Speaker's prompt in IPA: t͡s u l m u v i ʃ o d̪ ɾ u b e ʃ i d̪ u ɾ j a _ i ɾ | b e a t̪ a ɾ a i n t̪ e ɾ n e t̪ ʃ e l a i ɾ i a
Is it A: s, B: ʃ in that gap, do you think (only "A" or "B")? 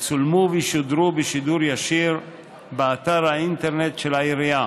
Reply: B